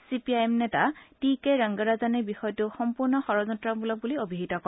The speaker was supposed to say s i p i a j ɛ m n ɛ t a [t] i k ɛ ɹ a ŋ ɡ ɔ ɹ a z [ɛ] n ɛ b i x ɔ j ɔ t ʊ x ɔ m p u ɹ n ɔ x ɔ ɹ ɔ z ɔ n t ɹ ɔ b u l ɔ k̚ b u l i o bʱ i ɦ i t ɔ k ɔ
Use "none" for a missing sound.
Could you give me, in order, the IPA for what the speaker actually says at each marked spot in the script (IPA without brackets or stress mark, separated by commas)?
t, a